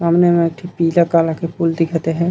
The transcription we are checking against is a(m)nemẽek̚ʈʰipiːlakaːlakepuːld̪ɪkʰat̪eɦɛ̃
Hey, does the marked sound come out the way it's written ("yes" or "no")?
yes